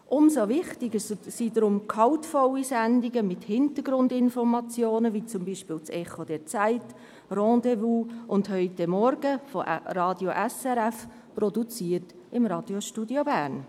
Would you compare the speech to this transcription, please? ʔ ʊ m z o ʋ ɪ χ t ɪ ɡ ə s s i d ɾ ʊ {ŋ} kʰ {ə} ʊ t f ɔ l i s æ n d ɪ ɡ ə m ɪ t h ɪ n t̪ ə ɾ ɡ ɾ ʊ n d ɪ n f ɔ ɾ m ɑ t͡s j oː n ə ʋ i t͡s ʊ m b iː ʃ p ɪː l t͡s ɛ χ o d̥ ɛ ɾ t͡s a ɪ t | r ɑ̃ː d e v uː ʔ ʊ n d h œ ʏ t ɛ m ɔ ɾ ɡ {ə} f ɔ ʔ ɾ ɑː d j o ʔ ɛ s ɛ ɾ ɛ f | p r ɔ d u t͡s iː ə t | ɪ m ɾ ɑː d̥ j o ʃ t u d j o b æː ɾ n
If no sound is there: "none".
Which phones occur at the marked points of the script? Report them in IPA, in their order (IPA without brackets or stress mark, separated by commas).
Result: m, ɑ, ə